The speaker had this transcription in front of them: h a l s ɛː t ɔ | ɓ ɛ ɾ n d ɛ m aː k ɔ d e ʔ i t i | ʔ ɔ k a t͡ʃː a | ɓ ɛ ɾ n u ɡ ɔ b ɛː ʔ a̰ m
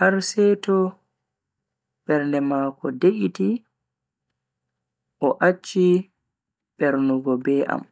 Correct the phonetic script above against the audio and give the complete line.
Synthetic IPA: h a ɾ s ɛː t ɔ | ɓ ɛ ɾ n d ɛ m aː k ɔ d e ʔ i t i | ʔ ɔ ʔ a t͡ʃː i | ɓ ɛ ɾ n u ɡ ɔ b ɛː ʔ a̰ m

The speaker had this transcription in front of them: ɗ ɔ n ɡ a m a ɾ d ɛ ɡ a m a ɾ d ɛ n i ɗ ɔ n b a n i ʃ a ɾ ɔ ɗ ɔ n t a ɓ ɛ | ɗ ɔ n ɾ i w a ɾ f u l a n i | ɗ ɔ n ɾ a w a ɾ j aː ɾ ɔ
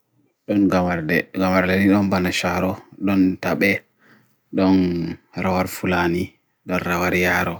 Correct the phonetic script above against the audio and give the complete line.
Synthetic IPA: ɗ ɔ n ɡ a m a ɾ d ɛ ɡ a m a ɾ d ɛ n i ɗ ɔ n b a n a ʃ a ɾ ɔ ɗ ɔ n t a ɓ ɛ | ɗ ɔ n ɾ a w a ɾ f u l a n i | ɗ ɔ n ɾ a w a ɾ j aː ɾ ɔ

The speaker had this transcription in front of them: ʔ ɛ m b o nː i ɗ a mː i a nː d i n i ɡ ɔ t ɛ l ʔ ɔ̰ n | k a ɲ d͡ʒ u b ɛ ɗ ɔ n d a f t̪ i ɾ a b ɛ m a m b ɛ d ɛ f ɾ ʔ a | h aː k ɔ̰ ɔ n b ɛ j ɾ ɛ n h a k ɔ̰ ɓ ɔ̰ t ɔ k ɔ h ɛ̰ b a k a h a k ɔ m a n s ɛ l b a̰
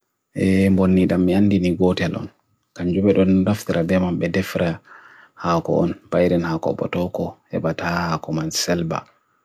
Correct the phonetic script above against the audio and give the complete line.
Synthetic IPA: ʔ ɛ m b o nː i ɗ a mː i a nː d i n i ɡ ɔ t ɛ l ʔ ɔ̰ n | k a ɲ d͡ʒ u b ɛ ɗ ɔ n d a f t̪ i ɾ a b ɛ m a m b ɛ d ɛ f ɾ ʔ a | h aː k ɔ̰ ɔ n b a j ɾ ɛ n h a k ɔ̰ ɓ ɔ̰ t ɔ k ɔ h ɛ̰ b a t a h a k ɔ m a n s ɛ l b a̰

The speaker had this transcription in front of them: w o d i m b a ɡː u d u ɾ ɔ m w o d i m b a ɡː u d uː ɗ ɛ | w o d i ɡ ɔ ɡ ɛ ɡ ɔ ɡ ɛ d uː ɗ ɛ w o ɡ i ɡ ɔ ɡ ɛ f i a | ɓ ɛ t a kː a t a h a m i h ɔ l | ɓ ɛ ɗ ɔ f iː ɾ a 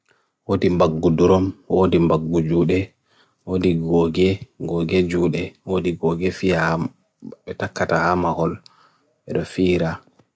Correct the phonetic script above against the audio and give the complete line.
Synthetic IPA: w o d i m b a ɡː u d u ɾ ɔ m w o d i m b a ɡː u d͡ʒ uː ɗ ɛ | w o d i ɡ ɔ ɡ ɛ ɡ ɔ ɡ ɛ d͡ʒ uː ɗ ɛ w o d i ɡ ɔ ɡ ɛ f i a | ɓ ɛ t a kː a t a h a m a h ɔ l | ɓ ɛ ɗ ɔ f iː ɾ a

